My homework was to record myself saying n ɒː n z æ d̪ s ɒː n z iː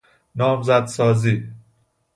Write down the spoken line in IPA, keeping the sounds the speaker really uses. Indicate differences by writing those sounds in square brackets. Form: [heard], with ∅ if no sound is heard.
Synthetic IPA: n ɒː [m] z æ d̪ s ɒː [∅] z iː